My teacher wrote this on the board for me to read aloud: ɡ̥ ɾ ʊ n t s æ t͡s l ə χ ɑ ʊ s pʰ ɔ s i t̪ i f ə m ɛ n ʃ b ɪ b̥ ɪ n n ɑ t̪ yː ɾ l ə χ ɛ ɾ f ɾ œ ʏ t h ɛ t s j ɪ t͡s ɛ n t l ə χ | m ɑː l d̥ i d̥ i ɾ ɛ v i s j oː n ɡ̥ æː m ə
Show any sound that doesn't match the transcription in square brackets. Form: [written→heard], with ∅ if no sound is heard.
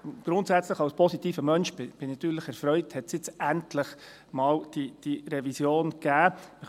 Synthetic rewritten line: ɡ̥ ɾ ʊ n t s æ t͡s l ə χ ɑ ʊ s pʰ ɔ s i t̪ [i→iː] f ə m [ɛ→œ] n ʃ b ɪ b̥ ɪ n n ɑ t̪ yː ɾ l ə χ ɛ ɾ f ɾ œ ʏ t h ɛ t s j ɪ t͡s [ɛ→æ] n t l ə χ | m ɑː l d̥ i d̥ i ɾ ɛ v i s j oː n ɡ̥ æː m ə